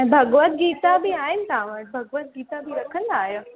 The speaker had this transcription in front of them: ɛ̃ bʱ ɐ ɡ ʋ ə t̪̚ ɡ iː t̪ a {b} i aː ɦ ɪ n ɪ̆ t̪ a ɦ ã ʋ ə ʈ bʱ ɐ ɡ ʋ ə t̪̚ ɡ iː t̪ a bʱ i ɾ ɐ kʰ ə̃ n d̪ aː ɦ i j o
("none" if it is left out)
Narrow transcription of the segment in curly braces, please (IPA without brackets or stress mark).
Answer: b